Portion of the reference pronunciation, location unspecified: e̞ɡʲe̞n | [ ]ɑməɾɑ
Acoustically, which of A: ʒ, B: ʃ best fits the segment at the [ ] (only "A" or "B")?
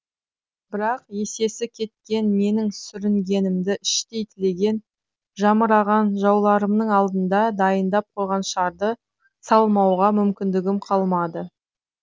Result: A